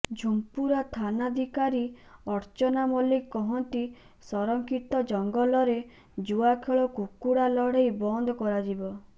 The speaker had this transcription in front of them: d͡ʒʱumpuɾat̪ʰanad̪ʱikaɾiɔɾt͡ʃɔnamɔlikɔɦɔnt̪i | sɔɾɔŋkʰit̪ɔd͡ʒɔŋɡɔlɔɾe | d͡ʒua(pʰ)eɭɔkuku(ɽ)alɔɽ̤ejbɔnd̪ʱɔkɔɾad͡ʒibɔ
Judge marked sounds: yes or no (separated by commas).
no, yes